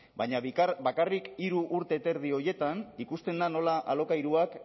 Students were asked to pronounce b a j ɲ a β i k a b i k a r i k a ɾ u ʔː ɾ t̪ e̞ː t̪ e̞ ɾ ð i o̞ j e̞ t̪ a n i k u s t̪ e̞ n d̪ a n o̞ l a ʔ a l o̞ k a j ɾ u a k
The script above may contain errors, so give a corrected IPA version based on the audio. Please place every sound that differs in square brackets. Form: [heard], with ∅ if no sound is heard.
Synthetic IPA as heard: b a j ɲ a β i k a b [a] k a r i k [i] ɾ u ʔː ɾ t̪ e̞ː t̪ e̞ ɾ ð i o̞ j e̞ t̪ a n i k u s t̪ e̞ n d̪ a n o̞ l a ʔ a l o̞ k a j ɾ u a k